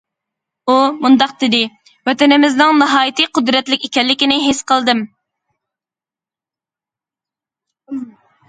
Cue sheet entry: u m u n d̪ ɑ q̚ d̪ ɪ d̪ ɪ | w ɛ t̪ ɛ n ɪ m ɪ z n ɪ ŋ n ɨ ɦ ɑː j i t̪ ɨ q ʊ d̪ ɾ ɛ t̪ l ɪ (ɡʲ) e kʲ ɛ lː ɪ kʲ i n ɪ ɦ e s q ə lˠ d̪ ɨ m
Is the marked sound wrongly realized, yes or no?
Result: yes